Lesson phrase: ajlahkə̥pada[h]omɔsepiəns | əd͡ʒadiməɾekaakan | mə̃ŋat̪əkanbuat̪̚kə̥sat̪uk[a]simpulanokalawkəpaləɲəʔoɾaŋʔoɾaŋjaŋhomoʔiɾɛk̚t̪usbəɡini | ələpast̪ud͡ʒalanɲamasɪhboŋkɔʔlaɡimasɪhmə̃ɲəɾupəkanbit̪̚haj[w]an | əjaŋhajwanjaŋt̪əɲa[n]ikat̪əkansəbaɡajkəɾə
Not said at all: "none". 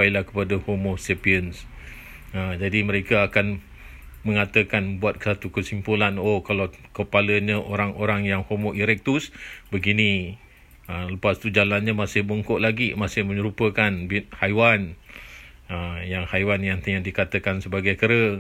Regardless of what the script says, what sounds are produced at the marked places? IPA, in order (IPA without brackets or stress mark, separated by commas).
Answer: h, ə, w, d